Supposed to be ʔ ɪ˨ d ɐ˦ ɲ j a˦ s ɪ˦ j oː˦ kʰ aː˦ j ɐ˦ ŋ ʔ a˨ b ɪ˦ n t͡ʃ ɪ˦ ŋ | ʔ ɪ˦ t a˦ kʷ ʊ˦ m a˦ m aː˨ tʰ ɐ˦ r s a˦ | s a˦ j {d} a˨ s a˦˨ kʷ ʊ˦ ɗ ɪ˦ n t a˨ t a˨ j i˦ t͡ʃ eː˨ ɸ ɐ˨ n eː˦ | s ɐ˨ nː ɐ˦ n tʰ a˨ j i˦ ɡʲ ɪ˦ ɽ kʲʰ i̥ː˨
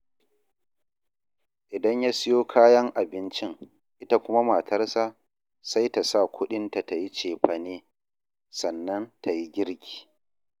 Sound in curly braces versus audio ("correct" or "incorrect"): incorrect